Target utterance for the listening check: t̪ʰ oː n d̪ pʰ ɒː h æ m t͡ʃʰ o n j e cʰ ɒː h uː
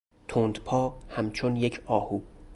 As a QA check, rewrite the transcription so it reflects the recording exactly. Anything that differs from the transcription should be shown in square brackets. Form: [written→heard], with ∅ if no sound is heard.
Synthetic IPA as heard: t̪ʰ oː n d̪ pʰ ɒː h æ m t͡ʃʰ o n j e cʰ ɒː h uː